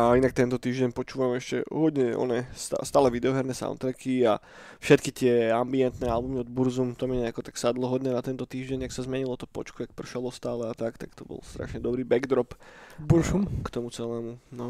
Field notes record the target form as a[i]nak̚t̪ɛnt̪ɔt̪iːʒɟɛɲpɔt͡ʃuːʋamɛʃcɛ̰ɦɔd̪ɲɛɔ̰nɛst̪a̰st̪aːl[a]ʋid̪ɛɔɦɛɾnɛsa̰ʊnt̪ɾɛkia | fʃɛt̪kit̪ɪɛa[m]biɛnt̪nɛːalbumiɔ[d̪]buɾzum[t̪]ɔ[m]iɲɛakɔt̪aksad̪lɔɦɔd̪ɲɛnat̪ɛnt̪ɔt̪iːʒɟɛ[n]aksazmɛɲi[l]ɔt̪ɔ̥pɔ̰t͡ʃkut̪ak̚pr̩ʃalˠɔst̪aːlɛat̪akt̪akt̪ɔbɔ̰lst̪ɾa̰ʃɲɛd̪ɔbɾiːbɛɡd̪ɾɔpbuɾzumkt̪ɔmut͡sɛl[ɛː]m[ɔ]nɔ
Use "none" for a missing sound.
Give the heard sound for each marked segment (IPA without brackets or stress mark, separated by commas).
i, ɛ, m, d̪, t̪, m, ɲ, l, ɛː, u